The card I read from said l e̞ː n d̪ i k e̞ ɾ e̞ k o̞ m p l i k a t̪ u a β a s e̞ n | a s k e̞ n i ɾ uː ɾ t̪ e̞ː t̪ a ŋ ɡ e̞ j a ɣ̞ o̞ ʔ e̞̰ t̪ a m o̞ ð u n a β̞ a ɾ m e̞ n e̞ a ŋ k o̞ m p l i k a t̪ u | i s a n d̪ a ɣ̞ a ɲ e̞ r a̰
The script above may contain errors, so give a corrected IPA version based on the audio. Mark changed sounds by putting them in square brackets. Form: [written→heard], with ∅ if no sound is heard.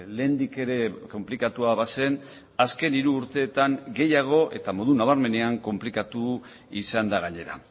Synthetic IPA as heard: l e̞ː n d̪ i k e̞ ɾ e̞ k o̞ m p l i k a t̪ u a β a s e̞ n | a s k e̞ n i ɾ uː ɾ t̪ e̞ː t̪ a ŋ ɡ e̞ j a ɣ̞ o̞ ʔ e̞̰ t̪ a m o̞ ð u n a β̞ a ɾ m e̞ n e̞ a ŋ k o̞ m p l i k a t̪ u | i s a n d̪ a ɣ̞ a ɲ e̞ [r→ɾ] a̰

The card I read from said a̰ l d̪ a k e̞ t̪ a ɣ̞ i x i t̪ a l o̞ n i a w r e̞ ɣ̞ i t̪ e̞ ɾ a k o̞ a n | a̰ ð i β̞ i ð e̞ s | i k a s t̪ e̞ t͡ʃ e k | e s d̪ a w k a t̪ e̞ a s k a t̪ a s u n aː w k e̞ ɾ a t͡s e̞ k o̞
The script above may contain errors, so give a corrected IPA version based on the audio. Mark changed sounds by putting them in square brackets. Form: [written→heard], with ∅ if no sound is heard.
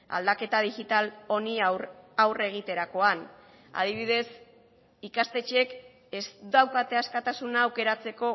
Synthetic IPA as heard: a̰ l d̪ a k e̞ t̪ a [ɣ̞→ð̞] i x i t̪ a l o̞ n i a w r e̞ ɣ̞ i t̪ e̞ ɾ a k o̞ a n | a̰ ð i β̞ i ð e̞ s | i k a s t̪ e̞ t͡ʃ e k | e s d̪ a w k a t̪ e̞ a s k a t̪ a s u n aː w k e̞ ɾ a t͡s e̞ k o̞

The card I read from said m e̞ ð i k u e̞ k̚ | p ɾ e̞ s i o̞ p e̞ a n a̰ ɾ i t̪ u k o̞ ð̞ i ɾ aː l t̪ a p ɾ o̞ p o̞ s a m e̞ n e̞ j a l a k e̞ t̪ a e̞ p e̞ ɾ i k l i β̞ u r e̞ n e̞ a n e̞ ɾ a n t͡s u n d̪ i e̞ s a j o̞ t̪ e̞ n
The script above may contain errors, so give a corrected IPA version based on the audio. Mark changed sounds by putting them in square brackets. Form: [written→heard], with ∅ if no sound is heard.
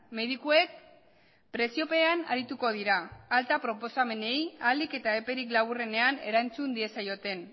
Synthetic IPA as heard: m e̞ ð i k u e̞ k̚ | p ɾ e̞ s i o̞ p e̞ a n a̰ ɾ i t̪ u k o̞ ð̞ i ɾ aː l t̪ a p ɾ o̞ p o̞ s a m e̞ n e̞ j a l [a→i] k e̞ t̪ a e̞ p e̞ ɾ i k l [i→a] β̞ u r e̞ n e̞ a n e̞ ɾ a n t͡s u n d̪ i e̞ s a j o̞ t̪ e̞ n

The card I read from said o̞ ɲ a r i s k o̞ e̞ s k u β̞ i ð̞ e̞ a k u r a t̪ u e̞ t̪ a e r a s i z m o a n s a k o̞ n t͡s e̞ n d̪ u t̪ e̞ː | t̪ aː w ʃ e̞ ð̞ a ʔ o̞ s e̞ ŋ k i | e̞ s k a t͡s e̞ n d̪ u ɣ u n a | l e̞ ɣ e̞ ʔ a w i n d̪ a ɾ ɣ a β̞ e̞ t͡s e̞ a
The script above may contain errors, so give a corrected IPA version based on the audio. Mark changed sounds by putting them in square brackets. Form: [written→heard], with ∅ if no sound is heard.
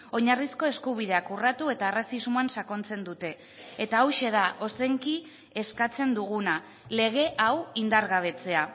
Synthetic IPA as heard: o̞ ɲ a r i s k o̞ e̞ s k u β̞ i ð̞ e̞ a k u r a t̪ u e̞ t̪ a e r a s i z m o a n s a k o̞ n t͡s e̞ n d̪ u t̪ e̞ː | t̪ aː w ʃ e̞ ð̞ a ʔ o̞ s e̞ ŋ k i | e̞ s k a t͡s e̞ n d̪ u ɣ u n a | l e̞ ɣ e̞ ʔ a w i n d̪ a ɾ ɣ a β̞ e̞ t͡s e̞ a

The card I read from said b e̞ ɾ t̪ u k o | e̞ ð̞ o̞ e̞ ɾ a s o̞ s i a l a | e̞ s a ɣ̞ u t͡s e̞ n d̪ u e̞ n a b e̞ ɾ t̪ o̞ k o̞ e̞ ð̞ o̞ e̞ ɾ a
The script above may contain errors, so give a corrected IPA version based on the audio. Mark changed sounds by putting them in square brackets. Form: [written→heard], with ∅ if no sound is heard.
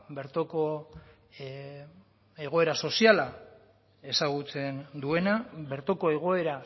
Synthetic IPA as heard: b e̞ ɾ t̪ [u→o] k o | e̞ [ð̞→ɣ̞] o̞ e̞ ɾ a s o̞ s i a l a | e̞ s a ɣ̞ u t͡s e̞ n d̪ u e̞ n a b e̞ ɾ t̪ o̞ k o̞ e̞ [ð̞→ɣ̞] o̞ e̞ ɾ a

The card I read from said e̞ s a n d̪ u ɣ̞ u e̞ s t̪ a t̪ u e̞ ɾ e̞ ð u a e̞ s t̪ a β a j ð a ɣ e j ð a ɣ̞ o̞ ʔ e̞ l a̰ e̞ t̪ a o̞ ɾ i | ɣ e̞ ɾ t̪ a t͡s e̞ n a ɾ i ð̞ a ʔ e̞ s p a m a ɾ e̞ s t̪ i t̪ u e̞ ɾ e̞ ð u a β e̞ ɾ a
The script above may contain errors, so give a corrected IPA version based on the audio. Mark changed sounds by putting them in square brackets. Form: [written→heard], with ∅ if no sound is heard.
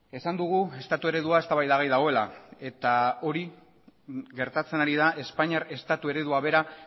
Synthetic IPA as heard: e̞ s a n d̪ u ɣ̞ u e̞ s t̪ a t̪ u e̞ ɾ e̞ ð u a e̞ s t̪ a β a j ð a ɣ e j ð a ɣ̞ o̞ [ʔ→∅] e̞ l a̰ e̞ t̪ a o̞ ɾ i | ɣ e̞ ɾ t̪ a t͡s e̞ n a ɾ i ð̞ a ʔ e̞ s p a [m→ɲ] a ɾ e̞ s t̪ [i→a] t̪ u e̞ ɾ e̞ ð u a β e̞ ɾ a

